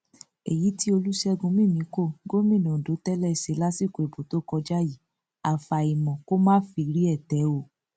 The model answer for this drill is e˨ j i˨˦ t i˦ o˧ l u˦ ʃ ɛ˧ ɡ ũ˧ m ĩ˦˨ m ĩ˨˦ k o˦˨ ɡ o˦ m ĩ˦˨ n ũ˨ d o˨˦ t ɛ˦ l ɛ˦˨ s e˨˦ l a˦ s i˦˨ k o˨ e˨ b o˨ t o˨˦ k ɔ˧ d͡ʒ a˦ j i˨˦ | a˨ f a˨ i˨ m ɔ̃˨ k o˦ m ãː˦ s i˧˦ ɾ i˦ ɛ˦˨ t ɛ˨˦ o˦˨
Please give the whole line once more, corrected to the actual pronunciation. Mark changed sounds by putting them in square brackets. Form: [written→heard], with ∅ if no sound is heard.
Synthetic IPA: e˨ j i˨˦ t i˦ o˧ l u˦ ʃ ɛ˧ ɡ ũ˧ m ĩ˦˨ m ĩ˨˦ k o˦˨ ɡ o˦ m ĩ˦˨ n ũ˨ d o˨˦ t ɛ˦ l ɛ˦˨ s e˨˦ l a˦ s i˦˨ k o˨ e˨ b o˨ t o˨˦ k ɔ˧ d͡ʒ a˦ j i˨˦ | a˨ f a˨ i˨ m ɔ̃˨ k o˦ m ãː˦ [s→f] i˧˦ ɾ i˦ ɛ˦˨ t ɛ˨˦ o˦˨